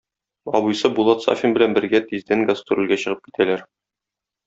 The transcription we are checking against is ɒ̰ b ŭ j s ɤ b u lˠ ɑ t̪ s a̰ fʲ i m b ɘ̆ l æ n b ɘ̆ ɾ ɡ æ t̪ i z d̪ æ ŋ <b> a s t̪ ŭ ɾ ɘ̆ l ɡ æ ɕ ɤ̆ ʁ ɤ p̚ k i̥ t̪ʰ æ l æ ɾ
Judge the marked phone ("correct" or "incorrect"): incorrect